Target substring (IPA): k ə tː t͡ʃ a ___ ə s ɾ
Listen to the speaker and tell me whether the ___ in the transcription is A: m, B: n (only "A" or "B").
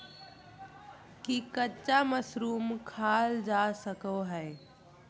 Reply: A